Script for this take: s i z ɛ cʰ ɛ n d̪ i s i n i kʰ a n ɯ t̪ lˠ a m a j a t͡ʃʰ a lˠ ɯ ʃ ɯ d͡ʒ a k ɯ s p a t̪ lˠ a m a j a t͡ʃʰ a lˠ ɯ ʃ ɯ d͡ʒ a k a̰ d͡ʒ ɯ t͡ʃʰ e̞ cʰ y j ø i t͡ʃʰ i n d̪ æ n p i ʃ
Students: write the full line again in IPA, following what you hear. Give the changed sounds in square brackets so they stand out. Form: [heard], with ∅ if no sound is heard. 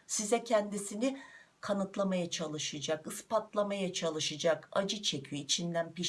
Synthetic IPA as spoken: s i z ɛ cʰ ɛ n d̪ i s i n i kʰ a n ɯ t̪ lˠ a m a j a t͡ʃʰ a lˠ ɯ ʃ ɯ d͡ʒ a k ɯ s p a t̪ lˠ a m a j a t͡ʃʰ a lˠ ɯ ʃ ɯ d͡ʒ a k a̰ d͡ʒ ɯ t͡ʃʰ e̞ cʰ y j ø i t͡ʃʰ i n d̪ æ n p i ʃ